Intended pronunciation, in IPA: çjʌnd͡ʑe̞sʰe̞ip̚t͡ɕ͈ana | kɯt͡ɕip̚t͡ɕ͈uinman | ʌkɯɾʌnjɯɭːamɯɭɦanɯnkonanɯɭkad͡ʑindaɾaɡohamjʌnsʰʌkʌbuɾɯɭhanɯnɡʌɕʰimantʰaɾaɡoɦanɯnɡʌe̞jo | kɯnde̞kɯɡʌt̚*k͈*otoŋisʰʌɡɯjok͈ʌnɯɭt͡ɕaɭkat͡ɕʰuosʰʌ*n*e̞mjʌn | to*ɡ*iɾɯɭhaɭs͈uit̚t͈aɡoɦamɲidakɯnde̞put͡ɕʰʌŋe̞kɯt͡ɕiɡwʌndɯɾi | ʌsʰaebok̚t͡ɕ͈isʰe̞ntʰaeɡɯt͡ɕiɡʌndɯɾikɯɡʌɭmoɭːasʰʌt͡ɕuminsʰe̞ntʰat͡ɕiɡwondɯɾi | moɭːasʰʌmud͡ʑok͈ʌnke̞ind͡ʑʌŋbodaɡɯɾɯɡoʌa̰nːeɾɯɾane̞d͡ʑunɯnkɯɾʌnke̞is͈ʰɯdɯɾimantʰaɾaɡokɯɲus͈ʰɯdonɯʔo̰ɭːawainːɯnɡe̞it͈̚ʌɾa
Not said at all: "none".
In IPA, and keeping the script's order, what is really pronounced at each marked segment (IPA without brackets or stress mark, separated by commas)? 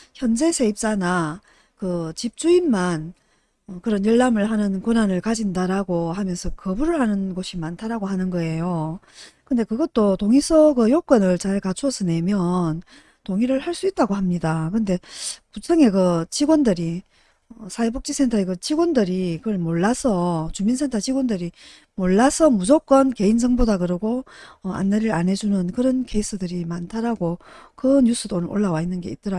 t͈, n, ŋ